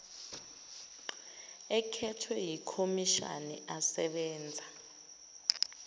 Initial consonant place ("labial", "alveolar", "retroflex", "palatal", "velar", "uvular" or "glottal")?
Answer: velar